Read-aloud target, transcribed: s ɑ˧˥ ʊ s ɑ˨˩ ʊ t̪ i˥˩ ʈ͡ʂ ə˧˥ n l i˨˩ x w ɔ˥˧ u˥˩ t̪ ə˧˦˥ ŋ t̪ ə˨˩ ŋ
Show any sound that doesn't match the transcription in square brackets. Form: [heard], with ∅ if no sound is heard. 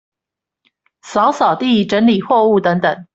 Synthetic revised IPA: s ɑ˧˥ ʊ s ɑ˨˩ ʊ t̪ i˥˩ ʈ͡ʂ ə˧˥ n l i˨˩ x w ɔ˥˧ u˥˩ t̪ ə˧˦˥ ŋ t̪ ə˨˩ ŋ

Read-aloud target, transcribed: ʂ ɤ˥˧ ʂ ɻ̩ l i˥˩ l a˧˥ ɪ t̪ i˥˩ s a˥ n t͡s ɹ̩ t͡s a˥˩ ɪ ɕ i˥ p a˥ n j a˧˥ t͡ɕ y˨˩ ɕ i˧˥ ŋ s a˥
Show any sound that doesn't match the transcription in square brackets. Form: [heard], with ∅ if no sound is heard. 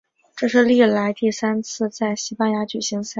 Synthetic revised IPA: [ʈ͡ʂ] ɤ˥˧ ʂ ɻ̩ l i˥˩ l a˧˥ ɪ t̪ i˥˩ s a˥ n [t͡sʰ] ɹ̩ t͡s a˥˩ ɪ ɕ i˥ p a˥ n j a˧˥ t͡ɕ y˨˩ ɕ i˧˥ ŋ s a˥

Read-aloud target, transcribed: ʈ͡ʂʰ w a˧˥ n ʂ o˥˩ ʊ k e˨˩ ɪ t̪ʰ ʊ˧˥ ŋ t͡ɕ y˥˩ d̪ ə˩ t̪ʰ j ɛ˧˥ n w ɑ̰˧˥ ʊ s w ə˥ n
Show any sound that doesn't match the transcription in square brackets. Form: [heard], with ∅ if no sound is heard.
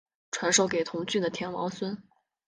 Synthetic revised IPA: ʈ͡ʂʰ w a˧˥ n ʂ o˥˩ ʊ k e˨˩ ɪ t̪ʰ ʊ˧˥ ŋ t͡ɕ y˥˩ d̪ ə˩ t̪ʰ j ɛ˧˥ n w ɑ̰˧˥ ʊ s w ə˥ n

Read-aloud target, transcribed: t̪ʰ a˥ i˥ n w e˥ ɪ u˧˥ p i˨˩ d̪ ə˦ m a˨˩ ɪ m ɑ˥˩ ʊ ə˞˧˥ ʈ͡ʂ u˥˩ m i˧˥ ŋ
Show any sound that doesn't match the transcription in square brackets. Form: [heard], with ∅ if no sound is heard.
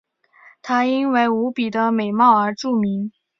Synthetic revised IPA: t̪ʰ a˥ i˥ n w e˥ ɪ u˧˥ p i˨˩ d̪ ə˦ m [e˨˩] ɪ m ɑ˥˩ ʊ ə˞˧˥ ʈ͡ʂ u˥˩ m i˧˥ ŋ

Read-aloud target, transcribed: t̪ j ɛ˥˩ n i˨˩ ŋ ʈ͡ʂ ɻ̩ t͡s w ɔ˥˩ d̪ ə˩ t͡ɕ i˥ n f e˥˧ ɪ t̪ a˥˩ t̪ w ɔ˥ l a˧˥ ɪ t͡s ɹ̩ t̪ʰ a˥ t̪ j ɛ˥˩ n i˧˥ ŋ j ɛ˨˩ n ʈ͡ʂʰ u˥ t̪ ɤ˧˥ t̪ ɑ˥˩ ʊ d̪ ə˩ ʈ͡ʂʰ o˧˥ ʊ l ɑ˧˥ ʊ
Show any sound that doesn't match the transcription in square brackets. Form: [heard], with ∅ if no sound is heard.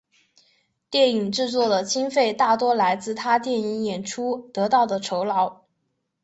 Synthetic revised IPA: t̪ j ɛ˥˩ n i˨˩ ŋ ʈ͡ʂ ɻ̩ t͡s w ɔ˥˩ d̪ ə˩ t͡ɕ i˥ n f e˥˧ ɪ t̪ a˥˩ t̪ w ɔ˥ l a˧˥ ɪ t͡s ɹ̩ t̪ʰ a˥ t̪ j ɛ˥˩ n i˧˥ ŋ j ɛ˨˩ n ʈ͡ʂʰ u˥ t̪ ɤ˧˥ t̪ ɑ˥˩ ʊ d̪ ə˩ ʈ͡ʂʰ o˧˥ ʊ l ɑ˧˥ ʊ

